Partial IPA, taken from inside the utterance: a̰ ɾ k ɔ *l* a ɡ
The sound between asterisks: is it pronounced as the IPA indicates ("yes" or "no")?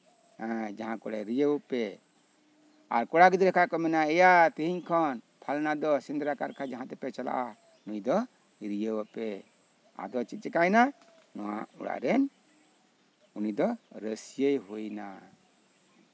no